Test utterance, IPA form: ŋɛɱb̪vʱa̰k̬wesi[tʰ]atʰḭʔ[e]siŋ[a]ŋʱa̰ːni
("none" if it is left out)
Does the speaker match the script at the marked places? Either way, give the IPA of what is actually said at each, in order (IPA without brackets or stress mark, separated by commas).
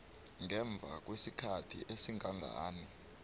kʰ, e, a